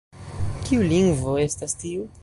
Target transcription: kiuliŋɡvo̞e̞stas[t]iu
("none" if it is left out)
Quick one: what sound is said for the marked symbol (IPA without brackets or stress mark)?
t